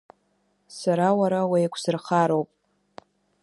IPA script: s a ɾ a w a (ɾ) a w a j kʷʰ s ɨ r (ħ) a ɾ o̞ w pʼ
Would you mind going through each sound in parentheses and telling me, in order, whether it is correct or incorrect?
correct, incorrect

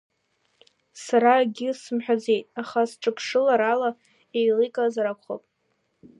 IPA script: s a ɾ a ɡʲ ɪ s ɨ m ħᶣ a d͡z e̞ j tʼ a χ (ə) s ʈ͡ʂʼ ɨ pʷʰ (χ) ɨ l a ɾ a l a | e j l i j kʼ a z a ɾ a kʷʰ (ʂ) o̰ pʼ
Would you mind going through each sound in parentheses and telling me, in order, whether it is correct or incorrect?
incorrect, incorrect, incorrect

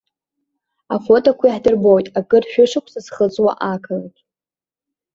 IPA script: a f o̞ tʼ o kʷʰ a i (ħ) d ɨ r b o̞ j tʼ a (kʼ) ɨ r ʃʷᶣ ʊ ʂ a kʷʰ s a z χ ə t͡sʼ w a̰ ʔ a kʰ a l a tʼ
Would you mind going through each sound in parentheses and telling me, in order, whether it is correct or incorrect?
correct, correct

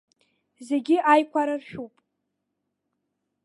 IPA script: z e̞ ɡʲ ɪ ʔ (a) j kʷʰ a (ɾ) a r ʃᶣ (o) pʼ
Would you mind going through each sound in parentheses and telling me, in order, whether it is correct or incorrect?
correct, correct, incorrect

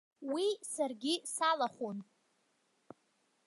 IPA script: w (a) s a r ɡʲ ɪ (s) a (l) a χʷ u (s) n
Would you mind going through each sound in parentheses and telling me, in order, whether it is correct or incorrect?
incorrect, correct, correct, incorrect

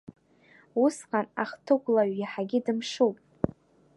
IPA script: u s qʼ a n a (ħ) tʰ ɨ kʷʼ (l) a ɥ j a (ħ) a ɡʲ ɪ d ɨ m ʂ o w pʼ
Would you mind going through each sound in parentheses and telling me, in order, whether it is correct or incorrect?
incorrect, correct, correct

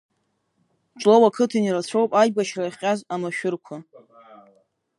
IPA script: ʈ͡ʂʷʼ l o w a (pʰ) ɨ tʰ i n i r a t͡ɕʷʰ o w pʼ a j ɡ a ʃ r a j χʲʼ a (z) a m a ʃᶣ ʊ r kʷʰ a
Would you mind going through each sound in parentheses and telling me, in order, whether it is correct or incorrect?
incorrect, correct

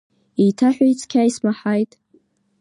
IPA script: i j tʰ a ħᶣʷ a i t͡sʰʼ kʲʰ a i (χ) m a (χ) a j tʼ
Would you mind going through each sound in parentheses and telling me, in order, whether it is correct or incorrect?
incorrect, incorrect

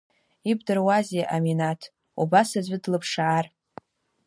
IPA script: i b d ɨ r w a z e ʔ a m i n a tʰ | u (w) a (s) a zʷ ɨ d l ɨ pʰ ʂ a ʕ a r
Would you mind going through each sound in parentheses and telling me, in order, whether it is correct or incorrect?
incorrect, correct

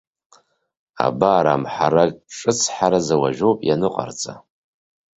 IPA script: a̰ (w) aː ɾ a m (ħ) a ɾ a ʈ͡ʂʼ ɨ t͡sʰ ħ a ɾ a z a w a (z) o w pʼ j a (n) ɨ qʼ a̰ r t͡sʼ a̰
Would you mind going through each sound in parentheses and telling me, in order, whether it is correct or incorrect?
incorrect, correct, incorrect, correct

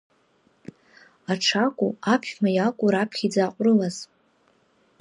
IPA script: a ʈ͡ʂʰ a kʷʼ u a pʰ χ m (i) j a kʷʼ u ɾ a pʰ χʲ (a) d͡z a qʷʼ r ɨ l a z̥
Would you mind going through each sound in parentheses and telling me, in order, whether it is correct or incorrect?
incorrect, incorrect

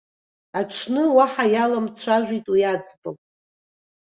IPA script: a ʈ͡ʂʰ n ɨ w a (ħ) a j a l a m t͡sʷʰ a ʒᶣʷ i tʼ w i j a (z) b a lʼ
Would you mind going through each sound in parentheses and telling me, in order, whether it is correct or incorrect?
correct, incorrect

